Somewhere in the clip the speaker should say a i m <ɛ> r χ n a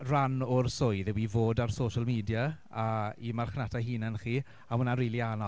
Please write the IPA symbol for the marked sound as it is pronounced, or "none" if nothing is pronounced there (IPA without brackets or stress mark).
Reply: a